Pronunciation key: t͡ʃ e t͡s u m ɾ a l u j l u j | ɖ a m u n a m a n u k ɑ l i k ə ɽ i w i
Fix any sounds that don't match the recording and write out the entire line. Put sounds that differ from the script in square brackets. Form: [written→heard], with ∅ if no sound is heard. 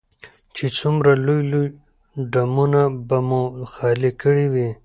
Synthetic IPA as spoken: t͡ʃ e t͡s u m ɾ a l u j l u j | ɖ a m u n a [m→b] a [n→m] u [k→x] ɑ l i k ə ɽ i w i